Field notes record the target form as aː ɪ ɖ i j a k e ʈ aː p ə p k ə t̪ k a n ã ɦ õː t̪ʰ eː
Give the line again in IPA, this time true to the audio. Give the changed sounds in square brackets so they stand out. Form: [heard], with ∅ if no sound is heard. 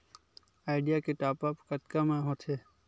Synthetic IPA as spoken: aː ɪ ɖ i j a k e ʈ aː p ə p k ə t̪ k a [m] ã ɦ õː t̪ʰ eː